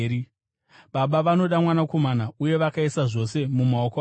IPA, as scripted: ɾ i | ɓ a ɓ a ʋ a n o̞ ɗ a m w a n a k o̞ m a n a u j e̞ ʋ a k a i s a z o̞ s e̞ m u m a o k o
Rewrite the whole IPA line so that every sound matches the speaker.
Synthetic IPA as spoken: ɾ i | ɓ a ɓ a ʋ a n o̞ ɗ a m w a n a k o̞ m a n a u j e̞ ʋ a k a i s a ʐ o̞ s e̞ m u m a o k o